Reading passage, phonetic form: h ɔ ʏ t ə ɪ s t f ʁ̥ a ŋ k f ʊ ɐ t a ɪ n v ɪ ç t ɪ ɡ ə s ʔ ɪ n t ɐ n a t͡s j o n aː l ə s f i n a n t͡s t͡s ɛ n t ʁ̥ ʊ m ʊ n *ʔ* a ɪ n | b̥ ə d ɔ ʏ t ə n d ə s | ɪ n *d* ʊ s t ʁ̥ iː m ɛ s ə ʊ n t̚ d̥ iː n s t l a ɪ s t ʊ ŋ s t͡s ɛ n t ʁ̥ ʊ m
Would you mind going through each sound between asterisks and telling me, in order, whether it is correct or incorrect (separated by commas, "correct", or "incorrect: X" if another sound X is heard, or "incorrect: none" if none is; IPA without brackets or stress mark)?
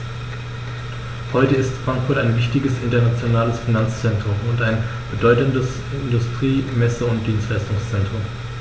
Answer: incorrect: t, correct